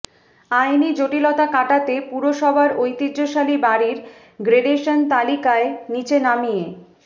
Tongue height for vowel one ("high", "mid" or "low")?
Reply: low